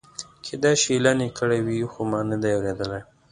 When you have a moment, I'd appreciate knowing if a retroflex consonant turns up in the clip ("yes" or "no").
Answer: yes